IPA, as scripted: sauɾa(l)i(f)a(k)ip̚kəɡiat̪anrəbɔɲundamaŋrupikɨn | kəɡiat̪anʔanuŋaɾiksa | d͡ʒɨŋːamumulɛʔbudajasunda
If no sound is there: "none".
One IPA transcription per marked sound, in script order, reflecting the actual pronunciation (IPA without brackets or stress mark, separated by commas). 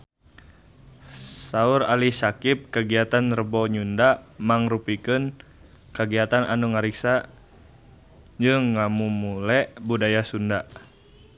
l, s, k